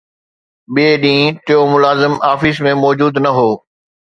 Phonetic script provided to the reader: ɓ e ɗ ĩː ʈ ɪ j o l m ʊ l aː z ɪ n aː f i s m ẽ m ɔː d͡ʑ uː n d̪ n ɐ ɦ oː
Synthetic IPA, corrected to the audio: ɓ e ɗ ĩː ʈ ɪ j o m ʊ l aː z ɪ m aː f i s m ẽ m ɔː d͡ʑ uː d̪ n ɐ ɦ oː